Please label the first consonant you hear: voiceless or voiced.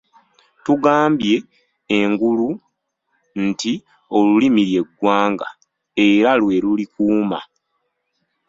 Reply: voiceless